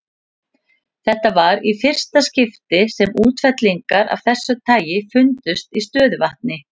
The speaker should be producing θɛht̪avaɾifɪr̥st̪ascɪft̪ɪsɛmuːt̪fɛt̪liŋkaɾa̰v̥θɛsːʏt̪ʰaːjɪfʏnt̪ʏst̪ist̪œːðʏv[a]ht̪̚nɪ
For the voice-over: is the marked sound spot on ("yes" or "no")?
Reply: yes